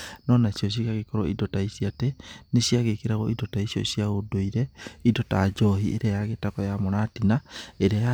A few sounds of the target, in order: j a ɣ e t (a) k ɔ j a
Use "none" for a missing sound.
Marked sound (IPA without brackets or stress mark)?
a